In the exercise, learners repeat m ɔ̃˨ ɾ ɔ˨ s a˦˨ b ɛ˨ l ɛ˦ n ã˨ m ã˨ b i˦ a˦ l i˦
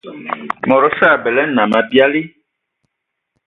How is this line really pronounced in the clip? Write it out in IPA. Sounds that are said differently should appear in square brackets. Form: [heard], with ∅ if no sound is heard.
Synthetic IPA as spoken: m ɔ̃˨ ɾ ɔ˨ s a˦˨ b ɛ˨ l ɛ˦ n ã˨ m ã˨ b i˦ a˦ l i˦